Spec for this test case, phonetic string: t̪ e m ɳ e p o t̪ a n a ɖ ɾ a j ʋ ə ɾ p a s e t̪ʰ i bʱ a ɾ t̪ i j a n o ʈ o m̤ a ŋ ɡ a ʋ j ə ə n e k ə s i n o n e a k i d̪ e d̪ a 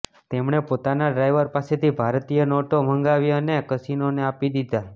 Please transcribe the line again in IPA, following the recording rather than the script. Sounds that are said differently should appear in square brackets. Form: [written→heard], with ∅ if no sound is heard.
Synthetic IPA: t̪ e m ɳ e p o t̪ a n a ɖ ɾ a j ʋ ə ɾ p a s e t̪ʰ i bʱ a ɾ t̪ i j [a→ə] n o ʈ o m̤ [a→ə] ŋ ɡ a ʋ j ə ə n e k ə s i n o n e a [k→p] i d̪ [e→i] d̪ a